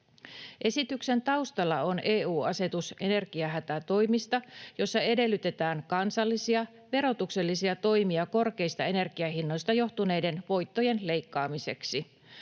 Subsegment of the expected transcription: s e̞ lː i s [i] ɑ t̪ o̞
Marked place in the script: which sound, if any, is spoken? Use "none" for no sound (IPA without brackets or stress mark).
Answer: i